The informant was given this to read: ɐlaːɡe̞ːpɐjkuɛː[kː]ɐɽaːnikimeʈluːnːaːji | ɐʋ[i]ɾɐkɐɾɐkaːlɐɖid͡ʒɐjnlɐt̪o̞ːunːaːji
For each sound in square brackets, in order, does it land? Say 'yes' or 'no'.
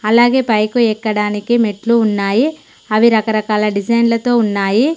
yes, yes

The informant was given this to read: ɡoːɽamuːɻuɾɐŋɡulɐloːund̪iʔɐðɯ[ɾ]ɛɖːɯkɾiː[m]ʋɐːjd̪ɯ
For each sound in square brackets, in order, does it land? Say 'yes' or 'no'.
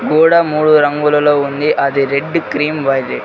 yes, yes

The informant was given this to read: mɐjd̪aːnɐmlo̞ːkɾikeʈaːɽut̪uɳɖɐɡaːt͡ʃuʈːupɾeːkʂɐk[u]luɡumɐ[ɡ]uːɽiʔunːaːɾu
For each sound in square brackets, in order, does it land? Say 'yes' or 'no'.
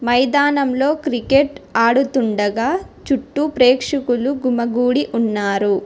yes, yes

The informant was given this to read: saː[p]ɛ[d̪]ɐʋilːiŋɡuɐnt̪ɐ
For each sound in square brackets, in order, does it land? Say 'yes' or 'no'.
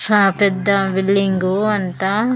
yes, no

